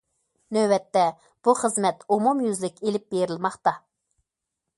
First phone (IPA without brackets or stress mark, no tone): n